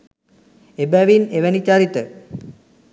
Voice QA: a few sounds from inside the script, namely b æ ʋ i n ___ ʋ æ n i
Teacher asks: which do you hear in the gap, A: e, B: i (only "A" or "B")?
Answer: A